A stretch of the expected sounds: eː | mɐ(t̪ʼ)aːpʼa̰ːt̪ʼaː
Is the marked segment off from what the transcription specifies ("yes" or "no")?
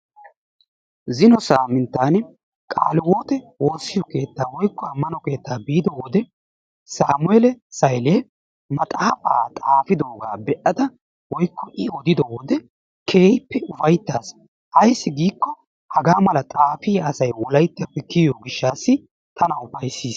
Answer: no